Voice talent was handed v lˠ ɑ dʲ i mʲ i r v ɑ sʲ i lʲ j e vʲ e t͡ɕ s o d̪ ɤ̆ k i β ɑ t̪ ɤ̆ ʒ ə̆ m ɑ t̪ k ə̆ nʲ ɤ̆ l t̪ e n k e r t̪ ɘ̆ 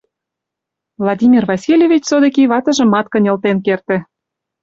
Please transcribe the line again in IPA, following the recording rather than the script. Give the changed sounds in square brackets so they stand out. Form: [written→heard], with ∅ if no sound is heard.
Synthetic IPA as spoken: v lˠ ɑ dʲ i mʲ i r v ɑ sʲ i lʲ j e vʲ [e→i] t͡ɕ s o d̪ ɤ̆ k i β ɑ t̪ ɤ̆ ʒ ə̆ m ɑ t̪ k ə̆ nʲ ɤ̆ l t̪ e n k e r t̪ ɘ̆

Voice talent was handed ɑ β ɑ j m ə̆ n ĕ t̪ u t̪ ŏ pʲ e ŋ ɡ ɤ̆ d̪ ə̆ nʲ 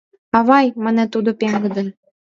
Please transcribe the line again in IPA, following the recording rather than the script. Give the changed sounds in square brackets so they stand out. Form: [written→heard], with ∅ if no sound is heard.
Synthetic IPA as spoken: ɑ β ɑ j m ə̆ n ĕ t̪ u [t̪→d̪] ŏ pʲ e ŋ ɡ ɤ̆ d̪ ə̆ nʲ

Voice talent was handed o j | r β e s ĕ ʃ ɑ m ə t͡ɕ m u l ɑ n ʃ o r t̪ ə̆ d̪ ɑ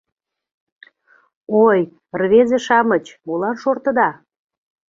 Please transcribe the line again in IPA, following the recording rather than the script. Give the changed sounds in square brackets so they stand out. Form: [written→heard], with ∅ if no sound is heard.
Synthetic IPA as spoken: o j | r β e [s→z] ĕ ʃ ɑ m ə t͡ɕ m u l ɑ n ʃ o r t̪ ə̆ d̪ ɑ

